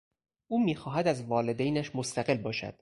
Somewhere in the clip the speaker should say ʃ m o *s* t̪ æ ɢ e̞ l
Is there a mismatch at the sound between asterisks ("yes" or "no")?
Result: no